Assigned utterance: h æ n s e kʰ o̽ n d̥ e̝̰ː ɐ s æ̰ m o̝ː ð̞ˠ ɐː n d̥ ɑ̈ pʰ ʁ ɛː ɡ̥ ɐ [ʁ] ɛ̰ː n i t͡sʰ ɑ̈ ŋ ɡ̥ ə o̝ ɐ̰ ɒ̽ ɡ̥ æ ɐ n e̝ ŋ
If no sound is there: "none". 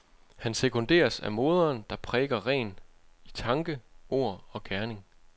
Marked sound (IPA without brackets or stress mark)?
ʁ